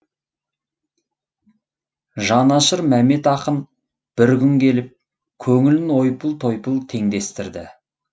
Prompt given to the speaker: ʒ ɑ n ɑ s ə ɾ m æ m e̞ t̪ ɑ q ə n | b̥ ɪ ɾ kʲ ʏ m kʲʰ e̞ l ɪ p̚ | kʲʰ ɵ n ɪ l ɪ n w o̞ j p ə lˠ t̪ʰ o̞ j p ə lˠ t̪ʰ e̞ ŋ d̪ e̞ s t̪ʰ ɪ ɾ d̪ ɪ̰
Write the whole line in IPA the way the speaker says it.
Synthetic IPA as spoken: ʒ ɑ n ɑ ʃ ə ɾ m æ m e̞ t̪ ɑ q ə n | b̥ ɪ ɾ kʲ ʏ ŋ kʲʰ e̞ l ɪ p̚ | kʲʰ ɵ ŋ ɪ l ɪ n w o̞ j p ə lˠ t̪ʰ o̞ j p ə lˠ t̪ʰ e̞ ŋ d̪ e̞ s t̪ ɪ ɾ d̪ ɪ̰